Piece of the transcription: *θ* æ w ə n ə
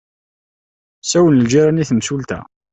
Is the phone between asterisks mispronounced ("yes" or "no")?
yes